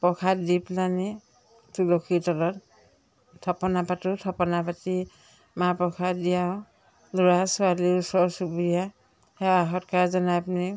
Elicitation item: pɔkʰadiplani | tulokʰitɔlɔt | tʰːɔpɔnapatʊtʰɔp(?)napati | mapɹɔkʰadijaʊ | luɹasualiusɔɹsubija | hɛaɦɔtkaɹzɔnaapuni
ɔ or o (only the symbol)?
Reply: ɔ